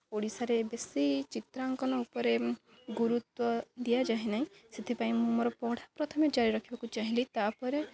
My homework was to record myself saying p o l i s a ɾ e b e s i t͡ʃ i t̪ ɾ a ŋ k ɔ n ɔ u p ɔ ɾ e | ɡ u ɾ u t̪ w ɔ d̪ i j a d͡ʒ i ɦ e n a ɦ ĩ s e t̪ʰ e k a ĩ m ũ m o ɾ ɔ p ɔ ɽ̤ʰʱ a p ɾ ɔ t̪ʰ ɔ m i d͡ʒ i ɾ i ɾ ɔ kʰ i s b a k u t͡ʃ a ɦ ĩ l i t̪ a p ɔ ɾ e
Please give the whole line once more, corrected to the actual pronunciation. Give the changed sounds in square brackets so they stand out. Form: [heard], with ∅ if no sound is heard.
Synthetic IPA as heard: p o [ɽ] i s a ɾ e b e s i t͡ʃ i t̪ ɾ a ŋ k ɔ n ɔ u p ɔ ɾ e | ɡ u ɾ u t̪ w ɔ d̪ i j a d͡ʒ [a] ɦ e n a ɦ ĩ s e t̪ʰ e [p] a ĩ m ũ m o ɾ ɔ p ɔ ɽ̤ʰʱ a p ɾ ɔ t̪ʰ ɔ m [e] d͡ʒ [a] ɾ i ɾ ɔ kʰ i [∅] b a k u t͡ʃ a ɦ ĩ l i t̪ a p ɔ ɾ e